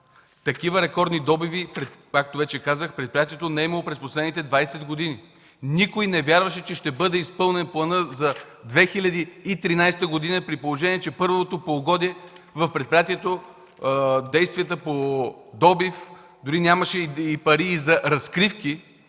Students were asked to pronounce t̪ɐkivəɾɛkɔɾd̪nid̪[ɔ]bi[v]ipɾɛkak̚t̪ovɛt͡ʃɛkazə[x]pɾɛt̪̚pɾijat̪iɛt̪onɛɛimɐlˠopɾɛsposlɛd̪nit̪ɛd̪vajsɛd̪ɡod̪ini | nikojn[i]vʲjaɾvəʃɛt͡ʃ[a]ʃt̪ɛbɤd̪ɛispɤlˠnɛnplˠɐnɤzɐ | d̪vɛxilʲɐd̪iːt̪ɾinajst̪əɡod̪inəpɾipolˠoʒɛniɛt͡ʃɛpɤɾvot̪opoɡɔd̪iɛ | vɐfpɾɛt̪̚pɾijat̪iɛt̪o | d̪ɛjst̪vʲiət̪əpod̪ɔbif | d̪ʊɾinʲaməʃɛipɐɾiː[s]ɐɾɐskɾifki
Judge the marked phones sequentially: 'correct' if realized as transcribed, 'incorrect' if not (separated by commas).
correct, correct, correct, incorrect, incorrect, incorrect